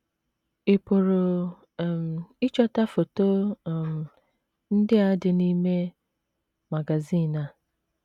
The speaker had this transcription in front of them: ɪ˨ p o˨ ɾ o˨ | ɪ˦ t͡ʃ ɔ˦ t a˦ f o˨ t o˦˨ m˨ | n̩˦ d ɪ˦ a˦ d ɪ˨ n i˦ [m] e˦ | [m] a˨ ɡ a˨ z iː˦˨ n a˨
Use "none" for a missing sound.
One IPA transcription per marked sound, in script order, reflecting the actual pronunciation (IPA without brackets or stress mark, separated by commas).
m, m